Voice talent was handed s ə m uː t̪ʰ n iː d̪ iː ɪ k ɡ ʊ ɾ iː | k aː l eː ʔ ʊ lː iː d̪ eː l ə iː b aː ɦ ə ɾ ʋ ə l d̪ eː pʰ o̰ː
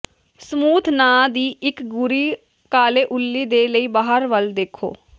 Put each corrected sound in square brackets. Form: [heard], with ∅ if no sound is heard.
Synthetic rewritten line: s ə m uː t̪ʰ n [aː] d̪ iː ɪ k ɡ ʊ ɾ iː | k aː l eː ʔ ʊ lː iː d̪ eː l ə iː b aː ɦ ə ɾ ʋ ə l d̪ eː [kʰ] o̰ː